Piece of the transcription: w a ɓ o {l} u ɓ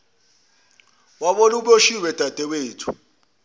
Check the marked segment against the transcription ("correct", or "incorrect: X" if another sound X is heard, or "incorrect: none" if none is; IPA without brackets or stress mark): correct